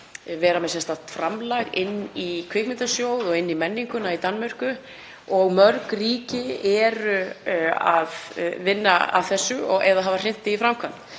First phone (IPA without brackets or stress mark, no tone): v